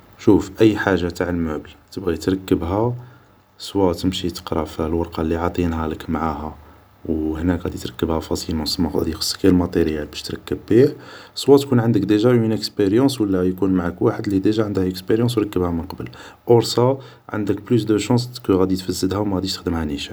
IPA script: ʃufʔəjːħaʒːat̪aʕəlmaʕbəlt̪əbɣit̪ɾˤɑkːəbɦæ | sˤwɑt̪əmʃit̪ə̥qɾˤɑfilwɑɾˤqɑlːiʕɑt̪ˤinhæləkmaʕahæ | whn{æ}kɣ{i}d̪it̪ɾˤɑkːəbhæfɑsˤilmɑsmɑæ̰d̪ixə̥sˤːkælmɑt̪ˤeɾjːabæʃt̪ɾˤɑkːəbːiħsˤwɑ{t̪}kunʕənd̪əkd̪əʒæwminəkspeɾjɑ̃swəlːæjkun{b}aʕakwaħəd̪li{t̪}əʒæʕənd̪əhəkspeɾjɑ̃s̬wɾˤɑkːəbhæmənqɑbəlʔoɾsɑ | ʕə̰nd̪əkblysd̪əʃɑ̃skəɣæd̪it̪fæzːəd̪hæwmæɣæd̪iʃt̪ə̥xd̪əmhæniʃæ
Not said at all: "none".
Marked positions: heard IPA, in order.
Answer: æ, æ, t̪, m, d̪

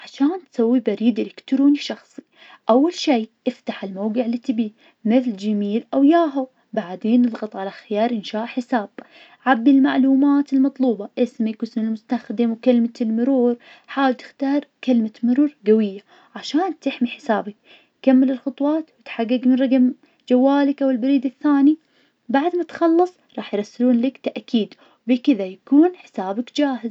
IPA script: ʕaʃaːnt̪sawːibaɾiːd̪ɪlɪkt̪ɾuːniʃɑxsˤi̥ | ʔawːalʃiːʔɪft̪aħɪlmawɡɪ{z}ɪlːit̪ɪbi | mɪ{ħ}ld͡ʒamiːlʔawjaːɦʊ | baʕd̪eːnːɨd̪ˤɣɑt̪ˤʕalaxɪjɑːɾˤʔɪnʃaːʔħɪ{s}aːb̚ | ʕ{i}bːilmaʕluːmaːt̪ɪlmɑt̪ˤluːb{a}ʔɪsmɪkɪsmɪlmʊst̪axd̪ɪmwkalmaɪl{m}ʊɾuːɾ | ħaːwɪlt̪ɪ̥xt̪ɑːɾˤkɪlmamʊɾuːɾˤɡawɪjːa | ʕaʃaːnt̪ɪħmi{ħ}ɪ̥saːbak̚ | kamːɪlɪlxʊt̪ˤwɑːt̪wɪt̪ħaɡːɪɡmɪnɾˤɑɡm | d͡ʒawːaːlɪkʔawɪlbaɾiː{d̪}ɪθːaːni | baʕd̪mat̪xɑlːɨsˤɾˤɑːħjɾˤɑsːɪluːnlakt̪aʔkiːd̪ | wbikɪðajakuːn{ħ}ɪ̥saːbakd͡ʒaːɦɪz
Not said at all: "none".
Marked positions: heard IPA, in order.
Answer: ʕ, θ, s, a, ɑ, m, ħ, d̪, ħ

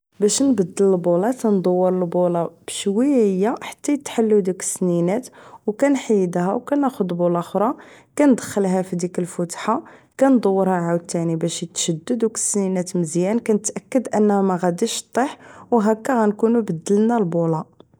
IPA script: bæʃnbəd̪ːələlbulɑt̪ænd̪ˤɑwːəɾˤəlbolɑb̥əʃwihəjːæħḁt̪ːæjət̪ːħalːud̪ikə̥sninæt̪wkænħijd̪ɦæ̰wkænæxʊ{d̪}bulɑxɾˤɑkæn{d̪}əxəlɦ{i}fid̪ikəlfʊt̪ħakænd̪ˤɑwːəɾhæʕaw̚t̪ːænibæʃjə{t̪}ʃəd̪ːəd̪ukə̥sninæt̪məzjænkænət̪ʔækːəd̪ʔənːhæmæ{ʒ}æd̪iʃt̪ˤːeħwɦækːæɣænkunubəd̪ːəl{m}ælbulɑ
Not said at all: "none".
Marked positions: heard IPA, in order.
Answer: d̪, d̪, æ, t̪, ɣ, n

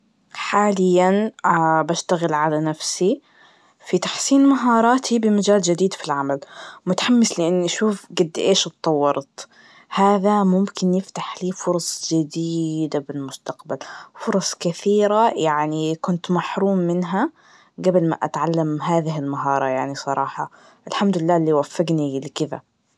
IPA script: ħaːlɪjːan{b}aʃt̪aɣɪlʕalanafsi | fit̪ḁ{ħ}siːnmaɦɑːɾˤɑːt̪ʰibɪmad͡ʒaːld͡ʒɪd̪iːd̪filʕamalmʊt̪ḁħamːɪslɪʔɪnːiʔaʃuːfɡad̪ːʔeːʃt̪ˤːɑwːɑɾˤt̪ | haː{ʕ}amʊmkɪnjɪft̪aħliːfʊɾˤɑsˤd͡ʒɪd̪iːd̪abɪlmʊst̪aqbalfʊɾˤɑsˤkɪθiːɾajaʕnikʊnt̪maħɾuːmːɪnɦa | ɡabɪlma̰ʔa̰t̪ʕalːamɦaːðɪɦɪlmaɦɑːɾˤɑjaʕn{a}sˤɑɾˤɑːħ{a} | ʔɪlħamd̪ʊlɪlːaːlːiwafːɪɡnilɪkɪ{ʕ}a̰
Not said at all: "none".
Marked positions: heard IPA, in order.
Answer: b, ħ, ð, i, ɑ, ð

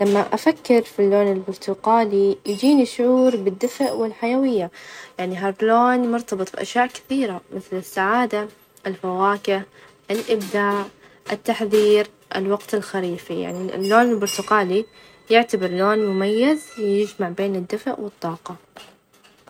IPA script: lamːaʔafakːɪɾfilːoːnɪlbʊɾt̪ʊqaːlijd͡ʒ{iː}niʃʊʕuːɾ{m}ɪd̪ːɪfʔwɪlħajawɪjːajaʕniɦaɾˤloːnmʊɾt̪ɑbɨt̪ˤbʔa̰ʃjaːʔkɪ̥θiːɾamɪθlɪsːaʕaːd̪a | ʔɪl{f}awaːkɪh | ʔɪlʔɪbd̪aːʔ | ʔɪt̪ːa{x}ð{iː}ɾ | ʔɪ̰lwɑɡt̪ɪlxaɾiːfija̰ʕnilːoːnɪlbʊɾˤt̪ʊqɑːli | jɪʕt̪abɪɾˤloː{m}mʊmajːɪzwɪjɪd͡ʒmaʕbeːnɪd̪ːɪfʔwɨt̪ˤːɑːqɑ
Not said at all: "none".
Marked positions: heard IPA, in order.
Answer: iː, b, f, ħ, iː, n

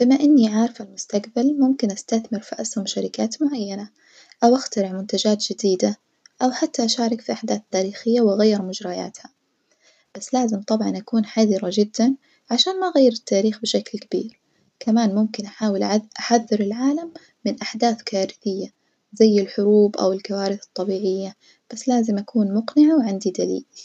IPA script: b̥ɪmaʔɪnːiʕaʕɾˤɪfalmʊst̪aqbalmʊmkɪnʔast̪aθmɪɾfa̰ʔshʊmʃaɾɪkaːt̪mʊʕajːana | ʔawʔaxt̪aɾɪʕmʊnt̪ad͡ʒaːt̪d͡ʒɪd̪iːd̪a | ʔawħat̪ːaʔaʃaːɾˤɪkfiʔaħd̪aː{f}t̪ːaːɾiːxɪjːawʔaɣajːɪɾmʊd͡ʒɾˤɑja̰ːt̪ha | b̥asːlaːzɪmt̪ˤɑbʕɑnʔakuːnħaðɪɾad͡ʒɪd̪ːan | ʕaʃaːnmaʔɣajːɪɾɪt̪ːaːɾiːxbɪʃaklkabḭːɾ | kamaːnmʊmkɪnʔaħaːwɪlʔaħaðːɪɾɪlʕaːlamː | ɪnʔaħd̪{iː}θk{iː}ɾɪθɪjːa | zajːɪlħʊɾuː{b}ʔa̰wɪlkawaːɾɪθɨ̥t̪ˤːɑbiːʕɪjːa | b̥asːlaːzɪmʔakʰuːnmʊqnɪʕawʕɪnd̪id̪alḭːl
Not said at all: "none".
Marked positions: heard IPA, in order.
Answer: θ, aː, aː, b

